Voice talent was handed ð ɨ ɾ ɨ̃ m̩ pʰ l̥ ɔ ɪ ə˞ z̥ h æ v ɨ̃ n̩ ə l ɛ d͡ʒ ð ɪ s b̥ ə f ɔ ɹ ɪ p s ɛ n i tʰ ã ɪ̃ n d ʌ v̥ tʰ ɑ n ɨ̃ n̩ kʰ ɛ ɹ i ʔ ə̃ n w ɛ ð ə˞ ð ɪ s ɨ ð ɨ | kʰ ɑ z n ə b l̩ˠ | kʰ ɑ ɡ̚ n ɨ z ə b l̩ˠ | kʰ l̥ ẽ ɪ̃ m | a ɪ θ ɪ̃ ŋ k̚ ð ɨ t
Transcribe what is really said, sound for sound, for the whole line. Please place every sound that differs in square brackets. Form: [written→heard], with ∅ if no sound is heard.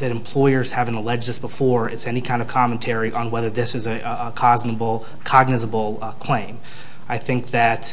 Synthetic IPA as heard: ð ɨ ɾ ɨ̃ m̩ pʰ l̥ ɔ ɪ ə˞ z̥ h æ v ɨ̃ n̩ ə l ɛ d͡ʒ ð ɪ s b̥ ə f ɔ ɹ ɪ [p→t] s ɛ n i [tʰ→kʰ] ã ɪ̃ n d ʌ v̥ [tʰ→kʰ] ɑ [n→m] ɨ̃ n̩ [kʰ→tʰ] ɛ ɹ i ʔ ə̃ n w ɛ ð ə˞ ð ɪ s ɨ [ð→z] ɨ | kʰ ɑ z n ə b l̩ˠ | kʰ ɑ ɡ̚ n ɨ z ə b l̩ˠ | kʰ l̥ ẽ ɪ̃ m | a ɪ θ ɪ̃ ŋ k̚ ð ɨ t